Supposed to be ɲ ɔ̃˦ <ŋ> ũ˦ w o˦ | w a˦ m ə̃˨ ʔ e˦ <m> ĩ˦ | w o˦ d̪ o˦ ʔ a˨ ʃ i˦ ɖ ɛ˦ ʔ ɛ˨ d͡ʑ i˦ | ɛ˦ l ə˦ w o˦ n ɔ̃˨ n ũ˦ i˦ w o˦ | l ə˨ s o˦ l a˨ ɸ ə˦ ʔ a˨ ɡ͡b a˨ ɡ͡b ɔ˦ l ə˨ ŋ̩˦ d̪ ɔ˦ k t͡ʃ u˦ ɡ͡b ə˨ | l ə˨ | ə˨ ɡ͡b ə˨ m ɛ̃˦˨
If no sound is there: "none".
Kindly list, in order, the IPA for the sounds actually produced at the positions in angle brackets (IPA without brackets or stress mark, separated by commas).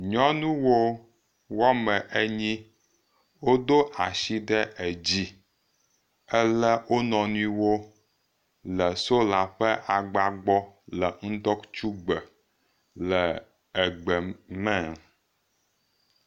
n, ɲ